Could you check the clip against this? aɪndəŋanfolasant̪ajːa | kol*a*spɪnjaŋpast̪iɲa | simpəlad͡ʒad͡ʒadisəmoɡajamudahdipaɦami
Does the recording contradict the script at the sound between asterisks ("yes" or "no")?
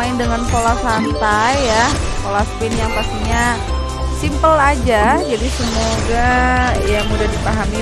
no